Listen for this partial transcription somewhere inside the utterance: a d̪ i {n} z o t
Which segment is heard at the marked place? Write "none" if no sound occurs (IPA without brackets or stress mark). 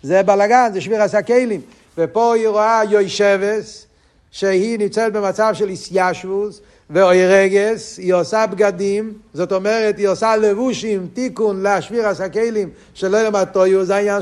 m